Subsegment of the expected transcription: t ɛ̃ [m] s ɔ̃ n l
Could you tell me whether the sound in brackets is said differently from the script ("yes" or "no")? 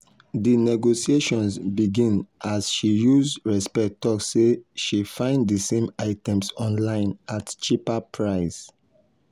no